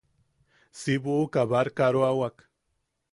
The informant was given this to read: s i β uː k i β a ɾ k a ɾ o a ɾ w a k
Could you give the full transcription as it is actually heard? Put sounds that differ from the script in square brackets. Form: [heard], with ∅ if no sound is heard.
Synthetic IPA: s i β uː k [a] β a ɾ k a ɾ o a [∅] w a k